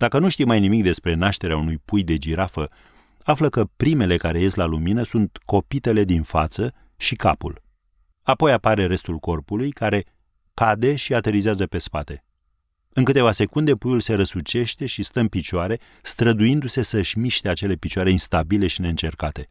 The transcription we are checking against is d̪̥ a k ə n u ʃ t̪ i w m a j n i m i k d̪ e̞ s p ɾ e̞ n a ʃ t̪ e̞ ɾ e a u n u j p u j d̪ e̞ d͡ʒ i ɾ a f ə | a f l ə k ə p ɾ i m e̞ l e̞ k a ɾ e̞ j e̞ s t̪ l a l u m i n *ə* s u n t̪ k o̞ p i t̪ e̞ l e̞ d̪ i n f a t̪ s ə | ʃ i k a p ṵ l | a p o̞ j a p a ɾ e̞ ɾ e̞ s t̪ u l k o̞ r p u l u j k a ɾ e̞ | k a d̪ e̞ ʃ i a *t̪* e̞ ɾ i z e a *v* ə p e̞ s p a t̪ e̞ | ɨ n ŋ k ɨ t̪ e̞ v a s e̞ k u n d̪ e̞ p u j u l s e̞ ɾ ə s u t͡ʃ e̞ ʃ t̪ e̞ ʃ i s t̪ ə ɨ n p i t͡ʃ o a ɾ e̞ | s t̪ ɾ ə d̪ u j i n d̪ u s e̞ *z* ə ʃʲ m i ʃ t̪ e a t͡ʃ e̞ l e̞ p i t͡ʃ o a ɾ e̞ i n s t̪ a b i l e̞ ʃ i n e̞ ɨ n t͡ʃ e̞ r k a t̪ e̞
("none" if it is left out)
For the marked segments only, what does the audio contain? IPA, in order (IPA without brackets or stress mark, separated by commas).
ə, t̪, z, s